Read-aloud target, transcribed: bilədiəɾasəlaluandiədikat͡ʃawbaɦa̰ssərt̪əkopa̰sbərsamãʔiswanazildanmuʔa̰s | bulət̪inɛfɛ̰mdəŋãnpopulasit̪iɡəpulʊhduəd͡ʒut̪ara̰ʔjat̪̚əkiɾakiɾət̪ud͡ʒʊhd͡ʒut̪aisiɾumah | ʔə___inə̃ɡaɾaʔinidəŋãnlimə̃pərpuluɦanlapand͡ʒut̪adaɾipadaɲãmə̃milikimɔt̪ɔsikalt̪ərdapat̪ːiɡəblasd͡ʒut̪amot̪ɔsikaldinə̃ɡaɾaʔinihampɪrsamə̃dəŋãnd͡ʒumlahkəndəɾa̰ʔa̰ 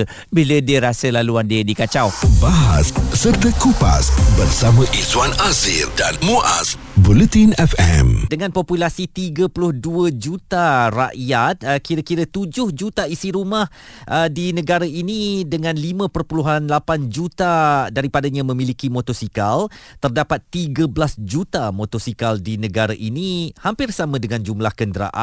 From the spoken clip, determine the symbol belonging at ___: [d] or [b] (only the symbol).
d